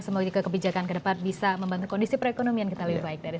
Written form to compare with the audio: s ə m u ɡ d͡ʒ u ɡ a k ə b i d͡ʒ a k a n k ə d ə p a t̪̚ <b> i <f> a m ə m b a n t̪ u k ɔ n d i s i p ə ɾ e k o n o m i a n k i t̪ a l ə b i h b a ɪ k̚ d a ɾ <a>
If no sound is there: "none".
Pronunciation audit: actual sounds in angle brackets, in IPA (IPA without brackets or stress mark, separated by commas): b, s, i